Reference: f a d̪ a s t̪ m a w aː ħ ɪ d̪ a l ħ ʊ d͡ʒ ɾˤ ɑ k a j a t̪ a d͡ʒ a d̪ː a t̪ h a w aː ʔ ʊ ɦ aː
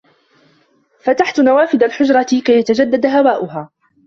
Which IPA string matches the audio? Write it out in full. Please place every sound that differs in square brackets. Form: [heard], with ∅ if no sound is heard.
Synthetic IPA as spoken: f a [t̪] a [ħ] t̪ [n] a w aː [f] ɪ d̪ a l ħ ʊ d͡ʒ ɾˤ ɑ k a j a t̪ a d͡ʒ a d̪ː a [d̪] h a w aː ʔ ʊ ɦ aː